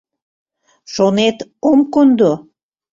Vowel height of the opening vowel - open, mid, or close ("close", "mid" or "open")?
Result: mid